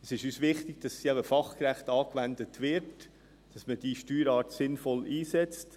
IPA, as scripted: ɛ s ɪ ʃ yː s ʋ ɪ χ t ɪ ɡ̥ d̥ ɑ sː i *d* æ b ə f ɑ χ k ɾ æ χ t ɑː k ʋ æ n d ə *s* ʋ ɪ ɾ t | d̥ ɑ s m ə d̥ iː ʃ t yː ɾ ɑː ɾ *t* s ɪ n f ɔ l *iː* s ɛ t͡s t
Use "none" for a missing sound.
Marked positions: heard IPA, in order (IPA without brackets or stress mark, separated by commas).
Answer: none, t, t, iː